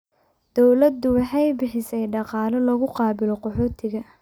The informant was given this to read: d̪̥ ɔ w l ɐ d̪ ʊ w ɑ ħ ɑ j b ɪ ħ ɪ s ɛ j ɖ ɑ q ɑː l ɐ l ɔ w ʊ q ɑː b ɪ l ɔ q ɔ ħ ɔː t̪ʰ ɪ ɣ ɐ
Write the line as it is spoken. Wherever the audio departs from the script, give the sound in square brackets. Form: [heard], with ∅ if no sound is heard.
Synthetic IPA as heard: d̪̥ ɔ w l ɐ d̪ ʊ w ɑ ħ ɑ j b ɪ ħ ɪ s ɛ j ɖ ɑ q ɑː l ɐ l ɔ [ɣ] ʊ q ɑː b ɪ l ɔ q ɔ ħ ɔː t̪ʰ ɪ ɣ ɐ